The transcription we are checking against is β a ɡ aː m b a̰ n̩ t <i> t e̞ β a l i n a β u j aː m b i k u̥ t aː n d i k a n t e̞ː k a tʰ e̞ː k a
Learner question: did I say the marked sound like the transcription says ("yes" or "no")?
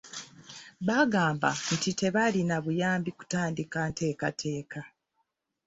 yes